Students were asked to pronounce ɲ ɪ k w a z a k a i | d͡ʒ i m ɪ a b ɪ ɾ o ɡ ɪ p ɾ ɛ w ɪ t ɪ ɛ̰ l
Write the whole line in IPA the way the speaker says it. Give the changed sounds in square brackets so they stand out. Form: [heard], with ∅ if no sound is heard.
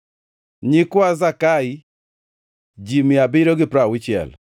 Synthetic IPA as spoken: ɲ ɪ k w a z a k a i | d͡ʒ i m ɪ a b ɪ ɾ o ɡ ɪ p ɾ [a] w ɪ [t͡ʃ] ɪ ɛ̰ l